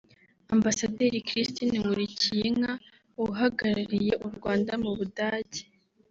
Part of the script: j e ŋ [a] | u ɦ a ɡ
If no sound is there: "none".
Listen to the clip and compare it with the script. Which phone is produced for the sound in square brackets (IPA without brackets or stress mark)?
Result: a